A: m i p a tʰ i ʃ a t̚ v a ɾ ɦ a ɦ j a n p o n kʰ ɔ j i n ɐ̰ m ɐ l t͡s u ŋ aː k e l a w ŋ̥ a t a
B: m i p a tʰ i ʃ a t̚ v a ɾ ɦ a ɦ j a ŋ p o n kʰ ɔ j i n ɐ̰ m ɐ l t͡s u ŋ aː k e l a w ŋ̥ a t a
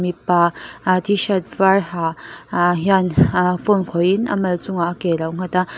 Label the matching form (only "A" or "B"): A